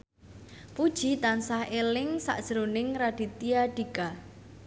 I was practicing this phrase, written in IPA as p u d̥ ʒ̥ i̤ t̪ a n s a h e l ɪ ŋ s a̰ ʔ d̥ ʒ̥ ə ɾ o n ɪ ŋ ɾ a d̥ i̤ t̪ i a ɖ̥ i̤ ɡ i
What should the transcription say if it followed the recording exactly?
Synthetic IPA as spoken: p u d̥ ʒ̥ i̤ t̪ a n s a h e l ɪ ŋ s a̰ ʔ d̥ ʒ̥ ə ɾ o n ɪ ŋ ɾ a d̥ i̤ t̪ i a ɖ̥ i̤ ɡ a